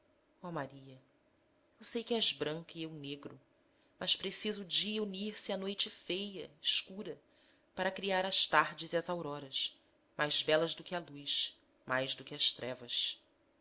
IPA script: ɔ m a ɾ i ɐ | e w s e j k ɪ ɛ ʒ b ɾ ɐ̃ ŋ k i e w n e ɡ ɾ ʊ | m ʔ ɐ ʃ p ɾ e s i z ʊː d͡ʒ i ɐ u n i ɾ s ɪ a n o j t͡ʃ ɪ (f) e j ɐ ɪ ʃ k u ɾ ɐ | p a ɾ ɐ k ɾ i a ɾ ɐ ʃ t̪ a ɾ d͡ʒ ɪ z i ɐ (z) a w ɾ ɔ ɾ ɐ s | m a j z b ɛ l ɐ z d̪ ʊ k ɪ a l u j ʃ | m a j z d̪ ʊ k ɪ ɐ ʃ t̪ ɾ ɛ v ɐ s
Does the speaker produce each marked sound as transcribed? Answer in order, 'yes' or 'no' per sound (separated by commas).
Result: yes, yes